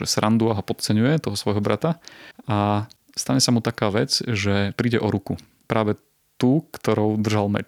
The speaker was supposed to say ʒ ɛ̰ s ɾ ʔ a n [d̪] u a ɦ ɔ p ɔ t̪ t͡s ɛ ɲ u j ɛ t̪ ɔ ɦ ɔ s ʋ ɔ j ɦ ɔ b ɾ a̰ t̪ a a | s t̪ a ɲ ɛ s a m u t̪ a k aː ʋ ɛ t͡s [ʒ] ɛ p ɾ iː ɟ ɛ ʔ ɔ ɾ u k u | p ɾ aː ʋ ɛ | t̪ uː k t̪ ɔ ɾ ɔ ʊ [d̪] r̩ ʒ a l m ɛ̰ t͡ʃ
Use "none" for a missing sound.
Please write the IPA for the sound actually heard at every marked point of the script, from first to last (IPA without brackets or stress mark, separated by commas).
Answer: d̪, ʒ, d̪